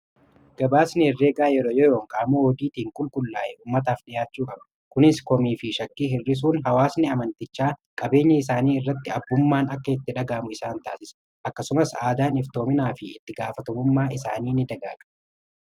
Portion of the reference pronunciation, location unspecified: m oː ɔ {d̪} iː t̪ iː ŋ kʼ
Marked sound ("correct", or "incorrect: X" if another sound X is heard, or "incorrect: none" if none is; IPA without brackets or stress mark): correct